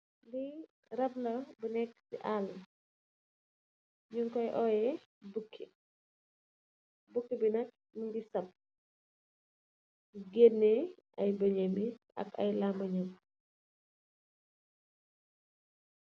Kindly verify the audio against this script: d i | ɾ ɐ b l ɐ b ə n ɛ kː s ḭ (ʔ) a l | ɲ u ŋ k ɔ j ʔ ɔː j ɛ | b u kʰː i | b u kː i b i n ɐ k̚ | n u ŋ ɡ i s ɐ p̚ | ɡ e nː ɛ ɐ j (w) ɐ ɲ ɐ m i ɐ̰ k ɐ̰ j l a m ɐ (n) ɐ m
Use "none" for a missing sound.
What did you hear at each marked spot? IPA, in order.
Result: ʔ, b, ɲ

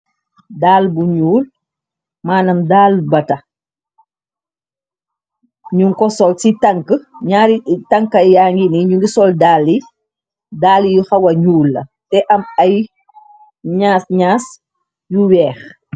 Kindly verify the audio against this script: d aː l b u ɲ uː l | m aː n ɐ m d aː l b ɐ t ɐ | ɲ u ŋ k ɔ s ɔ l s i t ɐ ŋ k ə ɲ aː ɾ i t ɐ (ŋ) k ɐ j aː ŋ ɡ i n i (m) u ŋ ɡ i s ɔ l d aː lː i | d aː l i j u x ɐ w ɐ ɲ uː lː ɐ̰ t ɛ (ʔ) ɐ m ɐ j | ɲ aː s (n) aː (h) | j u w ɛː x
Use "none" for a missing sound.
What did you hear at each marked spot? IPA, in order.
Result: ŋ, ɲ, ʔ, ɲ, s

